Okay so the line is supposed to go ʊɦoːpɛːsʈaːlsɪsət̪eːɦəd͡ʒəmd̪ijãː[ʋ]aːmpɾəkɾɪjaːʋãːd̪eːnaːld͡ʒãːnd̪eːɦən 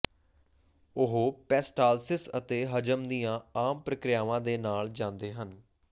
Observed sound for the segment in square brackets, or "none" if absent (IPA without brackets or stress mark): none